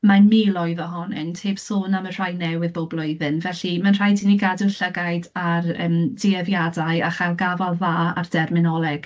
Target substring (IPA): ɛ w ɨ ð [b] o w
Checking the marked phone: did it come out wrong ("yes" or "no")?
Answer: no